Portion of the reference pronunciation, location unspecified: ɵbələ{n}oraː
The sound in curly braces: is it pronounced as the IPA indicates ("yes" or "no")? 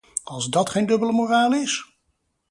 no